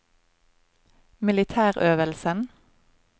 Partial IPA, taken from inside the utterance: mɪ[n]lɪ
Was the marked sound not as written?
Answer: yes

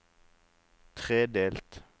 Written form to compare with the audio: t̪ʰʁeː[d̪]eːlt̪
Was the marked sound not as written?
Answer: no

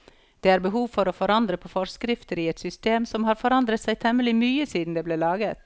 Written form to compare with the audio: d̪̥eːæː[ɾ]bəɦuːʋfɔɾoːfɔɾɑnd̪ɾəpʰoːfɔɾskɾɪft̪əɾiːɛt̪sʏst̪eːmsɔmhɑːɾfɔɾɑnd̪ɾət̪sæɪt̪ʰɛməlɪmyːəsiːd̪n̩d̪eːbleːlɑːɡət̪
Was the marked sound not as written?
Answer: no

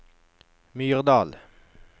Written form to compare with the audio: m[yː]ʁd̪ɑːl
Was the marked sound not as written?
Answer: no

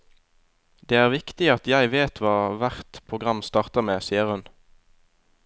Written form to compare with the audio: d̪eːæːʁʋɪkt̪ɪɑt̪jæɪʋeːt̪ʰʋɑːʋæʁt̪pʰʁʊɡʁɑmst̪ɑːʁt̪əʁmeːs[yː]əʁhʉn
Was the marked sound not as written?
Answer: yes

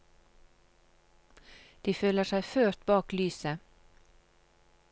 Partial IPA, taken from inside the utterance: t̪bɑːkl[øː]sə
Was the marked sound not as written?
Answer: yes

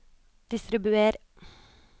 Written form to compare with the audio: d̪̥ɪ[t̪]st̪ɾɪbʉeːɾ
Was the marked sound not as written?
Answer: yes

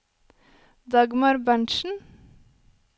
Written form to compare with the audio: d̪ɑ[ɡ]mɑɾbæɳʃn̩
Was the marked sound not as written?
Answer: no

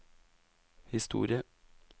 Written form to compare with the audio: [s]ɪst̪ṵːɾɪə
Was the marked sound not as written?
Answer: yes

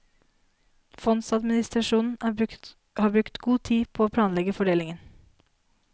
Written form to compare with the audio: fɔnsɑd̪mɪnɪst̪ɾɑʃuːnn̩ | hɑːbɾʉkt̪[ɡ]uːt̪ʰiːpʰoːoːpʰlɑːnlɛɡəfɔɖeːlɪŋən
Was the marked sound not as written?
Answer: no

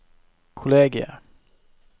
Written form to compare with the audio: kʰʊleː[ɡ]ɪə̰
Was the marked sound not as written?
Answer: no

